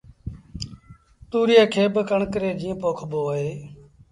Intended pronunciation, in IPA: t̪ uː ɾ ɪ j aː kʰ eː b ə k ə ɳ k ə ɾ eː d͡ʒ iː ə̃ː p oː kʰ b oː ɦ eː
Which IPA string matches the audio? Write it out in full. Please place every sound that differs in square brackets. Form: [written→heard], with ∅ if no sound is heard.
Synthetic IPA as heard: t̪ uː ɾ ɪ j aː kʰ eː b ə k ə ɳ k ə ɾ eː d͡ʒ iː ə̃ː p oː kʰ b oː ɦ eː